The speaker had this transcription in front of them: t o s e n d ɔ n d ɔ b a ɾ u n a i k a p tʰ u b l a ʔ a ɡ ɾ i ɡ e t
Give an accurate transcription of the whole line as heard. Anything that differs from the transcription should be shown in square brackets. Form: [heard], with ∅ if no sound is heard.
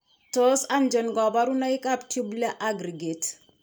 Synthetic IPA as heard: t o s [a] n [d͡ʒ] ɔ n [ɡ] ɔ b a ɾ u n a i k a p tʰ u b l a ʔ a ɡ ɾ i ɡ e t

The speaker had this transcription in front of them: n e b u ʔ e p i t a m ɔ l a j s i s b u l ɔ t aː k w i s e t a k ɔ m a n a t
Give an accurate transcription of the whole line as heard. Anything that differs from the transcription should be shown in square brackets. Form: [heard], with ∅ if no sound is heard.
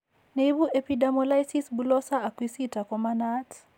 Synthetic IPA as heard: n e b u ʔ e p i [d] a m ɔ l a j s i s b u l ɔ [s] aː k w i s [i] t a k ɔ m a n a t

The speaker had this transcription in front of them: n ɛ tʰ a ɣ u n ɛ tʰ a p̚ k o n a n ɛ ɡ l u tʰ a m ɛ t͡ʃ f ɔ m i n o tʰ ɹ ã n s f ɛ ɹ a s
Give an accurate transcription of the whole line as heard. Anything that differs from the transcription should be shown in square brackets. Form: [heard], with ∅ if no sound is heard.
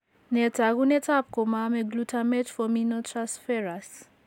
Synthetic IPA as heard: n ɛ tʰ a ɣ u n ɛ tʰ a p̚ k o [m] a [m] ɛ ɡ l u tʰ a m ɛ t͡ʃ f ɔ m i n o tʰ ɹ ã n s f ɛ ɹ a s

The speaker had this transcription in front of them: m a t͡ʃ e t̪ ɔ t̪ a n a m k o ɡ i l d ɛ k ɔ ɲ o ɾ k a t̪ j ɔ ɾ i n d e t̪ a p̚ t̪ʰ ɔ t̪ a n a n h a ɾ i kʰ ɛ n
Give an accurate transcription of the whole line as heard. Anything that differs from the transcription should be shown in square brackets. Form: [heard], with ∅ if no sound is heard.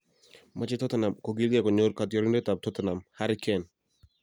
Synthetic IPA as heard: m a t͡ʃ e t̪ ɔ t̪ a n a m k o ɡ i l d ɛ k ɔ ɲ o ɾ k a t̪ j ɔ ɾ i n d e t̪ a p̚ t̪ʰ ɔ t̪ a n a [m] h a ɾ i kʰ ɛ n

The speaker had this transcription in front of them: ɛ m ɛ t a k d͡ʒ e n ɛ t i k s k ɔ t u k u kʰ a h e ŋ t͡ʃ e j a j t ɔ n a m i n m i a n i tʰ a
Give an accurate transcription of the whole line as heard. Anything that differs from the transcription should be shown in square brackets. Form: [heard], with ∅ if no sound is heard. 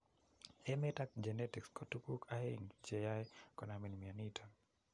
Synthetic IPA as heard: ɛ m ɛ t a k d͡ʒ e n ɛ t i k s k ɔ t u k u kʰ a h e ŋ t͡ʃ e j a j [k] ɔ n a m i n m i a n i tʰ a

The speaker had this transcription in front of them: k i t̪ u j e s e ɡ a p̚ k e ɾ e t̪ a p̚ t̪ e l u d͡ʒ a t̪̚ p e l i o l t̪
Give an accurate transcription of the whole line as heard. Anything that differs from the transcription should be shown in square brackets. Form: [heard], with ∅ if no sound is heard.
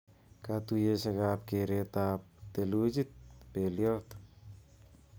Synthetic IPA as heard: k [a] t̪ u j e s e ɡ a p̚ k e ɾ e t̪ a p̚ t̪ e l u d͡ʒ [i] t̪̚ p e l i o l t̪

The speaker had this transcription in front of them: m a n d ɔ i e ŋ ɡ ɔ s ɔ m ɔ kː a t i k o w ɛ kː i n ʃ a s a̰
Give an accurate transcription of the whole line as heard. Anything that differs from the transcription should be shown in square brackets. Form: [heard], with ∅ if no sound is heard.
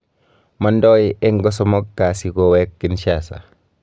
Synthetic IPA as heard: m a n d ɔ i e ŋ ɡ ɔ s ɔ m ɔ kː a [s] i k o w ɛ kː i n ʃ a s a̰

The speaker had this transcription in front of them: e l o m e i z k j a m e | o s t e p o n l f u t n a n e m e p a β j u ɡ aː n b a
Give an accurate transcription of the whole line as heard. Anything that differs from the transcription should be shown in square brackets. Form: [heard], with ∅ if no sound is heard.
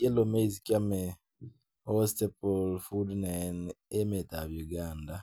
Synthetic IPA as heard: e l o m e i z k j a m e | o s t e p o [∅] l f u [d] n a n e m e [t] a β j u ɡ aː n [d] a

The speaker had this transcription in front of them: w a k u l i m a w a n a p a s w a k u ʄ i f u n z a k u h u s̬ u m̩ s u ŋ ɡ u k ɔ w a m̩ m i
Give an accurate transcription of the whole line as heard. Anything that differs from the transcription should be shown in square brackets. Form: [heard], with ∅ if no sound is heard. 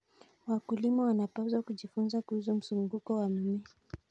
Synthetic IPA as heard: w a k u l i m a w a n a p a [z] w a k u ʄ i f u n z a k u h u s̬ u m̩ s u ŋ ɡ u k ɔ w a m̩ m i

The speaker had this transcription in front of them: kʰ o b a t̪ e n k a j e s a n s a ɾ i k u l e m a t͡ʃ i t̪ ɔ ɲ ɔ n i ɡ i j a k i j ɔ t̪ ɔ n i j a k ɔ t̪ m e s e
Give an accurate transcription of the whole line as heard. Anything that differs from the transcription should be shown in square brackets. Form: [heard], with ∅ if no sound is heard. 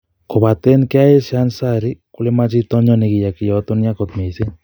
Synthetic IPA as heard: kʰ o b a t̪ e n k a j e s a n s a ɾ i k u l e m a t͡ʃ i t̪ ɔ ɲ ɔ n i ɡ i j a k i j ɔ t̪ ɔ n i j a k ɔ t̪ m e s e

